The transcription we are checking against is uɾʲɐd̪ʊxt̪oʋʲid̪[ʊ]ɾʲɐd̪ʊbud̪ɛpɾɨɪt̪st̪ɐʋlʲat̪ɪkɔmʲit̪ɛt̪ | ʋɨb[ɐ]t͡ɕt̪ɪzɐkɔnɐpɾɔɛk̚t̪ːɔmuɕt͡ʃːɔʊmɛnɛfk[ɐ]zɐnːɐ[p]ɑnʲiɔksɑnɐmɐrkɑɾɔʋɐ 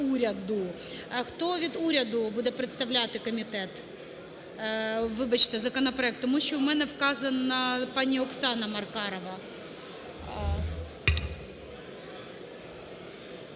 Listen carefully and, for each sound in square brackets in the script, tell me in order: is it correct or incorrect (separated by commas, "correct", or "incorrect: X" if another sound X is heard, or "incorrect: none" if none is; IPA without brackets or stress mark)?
incorrect: u, correct, incorrect: ɑ, correct